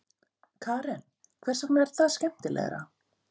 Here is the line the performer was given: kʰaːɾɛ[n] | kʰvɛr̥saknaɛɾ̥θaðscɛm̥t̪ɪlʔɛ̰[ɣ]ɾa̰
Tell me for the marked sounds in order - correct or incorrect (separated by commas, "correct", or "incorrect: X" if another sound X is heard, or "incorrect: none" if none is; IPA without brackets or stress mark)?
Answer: correct, correct